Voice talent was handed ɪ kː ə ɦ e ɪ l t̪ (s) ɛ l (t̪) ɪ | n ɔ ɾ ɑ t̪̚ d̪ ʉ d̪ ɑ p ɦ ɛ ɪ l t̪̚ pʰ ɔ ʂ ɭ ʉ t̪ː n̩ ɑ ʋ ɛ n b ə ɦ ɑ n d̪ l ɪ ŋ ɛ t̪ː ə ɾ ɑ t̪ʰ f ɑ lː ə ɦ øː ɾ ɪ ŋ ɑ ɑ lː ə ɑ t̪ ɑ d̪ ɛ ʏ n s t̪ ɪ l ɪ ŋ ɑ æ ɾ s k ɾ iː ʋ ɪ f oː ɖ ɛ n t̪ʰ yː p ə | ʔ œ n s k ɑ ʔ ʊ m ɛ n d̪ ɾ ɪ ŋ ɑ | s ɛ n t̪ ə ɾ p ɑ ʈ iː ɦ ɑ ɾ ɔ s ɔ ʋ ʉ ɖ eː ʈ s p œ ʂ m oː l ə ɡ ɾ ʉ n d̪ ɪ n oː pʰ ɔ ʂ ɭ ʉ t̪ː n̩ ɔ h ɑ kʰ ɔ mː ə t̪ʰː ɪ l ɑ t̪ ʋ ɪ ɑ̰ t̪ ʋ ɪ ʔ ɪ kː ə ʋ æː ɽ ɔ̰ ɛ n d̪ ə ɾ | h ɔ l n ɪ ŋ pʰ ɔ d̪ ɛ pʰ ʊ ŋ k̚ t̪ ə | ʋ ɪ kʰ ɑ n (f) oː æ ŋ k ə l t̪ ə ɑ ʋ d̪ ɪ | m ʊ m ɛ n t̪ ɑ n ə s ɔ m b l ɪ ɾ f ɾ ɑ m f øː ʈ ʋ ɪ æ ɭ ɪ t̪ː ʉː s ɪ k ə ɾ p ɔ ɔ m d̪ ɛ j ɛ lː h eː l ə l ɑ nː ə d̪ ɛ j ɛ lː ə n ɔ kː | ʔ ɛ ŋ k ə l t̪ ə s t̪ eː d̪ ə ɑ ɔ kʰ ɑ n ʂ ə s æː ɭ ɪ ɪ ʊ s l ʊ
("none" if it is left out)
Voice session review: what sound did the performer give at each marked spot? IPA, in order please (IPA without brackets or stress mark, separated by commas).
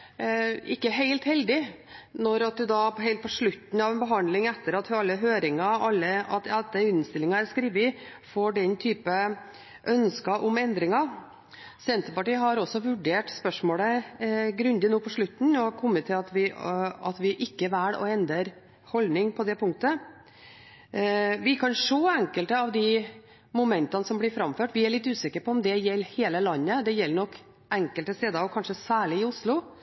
h, d̪, ʂ